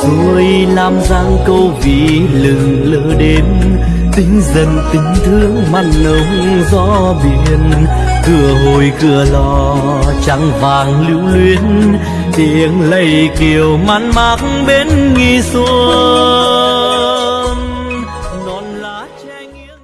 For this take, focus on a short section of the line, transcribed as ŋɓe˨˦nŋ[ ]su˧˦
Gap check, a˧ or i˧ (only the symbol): i˧